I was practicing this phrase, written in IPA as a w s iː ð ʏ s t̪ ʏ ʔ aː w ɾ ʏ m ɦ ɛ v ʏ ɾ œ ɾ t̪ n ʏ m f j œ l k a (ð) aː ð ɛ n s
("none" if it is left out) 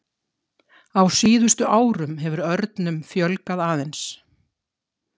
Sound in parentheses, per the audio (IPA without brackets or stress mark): ð